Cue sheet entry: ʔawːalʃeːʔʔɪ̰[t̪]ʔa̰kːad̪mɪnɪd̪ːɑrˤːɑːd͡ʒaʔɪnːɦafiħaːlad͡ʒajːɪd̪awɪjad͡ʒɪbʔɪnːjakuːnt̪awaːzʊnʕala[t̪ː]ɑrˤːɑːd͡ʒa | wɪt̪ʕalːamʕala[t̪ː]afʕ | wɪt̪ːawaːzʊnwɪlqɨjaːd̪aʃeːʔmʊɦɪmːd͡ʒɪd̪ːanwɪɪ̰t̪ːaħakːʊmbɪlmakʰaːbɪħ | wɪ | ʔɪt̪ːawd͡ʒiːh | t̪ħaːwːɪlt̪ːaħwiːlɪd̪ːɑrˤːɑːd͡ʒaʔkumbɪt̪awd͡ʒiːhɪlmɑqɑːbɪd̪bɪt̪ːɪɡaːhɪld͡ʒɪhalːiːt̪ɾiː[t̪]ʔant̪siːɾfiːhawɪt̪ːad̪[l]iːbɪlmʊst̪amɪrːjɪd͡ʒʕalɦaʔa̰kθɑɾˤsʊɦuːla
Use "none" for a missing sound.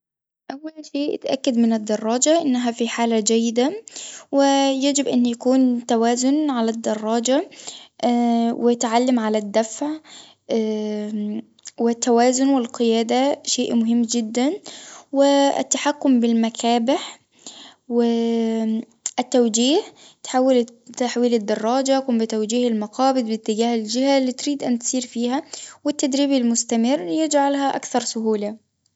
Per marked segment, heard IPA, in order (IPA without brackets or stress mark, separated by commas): t̪, d̪ː, d̪ː, d̪, ɾ